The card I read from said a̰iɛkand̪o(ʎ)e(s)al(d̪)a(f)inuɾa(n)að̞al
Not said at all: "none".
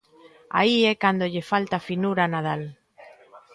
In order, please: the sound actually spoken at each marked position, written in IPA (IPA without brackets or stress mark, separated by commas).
ʎ, f, t̪, f, n